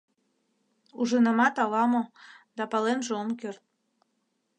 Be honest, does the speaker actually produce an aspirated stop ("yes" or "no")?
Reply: no